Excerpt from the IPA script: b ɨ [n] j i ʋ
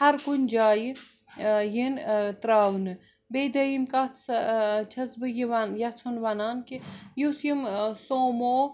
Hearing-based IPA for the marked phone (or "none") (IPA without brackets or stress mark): none